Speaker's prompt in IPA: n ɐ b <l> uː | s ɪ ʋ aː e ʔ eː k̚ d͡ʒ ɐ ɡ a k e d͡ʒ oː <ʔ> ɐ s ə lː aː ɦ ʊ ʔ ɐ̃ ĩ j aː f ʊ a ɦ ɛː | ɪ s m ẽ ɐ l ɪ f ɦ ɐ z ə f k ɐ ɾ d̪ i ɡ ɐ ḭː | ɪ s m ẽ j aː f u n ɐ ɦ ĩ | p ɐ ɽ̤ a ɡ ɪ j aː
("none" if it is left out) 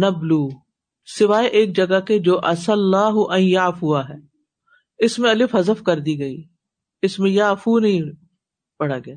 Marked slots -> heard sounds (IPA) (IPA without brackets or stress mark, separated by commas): l, ʔ